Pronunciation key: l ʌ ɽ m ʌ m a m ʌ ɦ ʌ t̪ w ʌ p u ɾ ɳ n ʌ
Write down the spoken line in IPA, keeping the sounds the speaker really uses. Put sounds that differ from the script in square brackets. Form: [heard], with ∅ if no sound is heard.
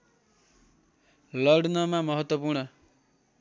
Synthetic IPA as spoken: l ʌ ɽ [n] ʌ m a m ʌ ɦ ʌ t̪ w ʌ p u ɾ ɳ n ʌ